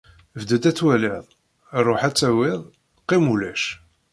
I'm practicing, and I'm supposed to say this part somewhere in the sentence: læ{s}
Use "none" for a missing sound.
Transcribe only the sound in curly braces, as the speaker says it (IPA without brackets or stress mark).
ʃ